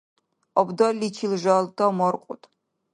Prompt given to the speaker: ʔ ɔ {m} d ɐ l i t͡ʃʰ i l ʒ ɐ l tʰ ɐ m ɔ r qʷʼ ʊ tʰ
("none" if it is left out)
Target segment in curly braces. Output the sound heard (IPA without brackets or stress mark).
b